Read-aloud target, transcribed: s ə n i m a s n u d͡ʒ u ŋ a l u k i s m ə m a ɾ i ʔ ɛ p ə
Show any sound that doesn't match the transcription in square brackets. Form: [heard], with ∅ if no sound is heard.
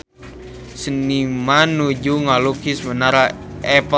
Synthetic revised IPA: s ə n i m a [∅] n u d͡ʒ u ŋ a l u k i s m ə [n] a ɾ [a] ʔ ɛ p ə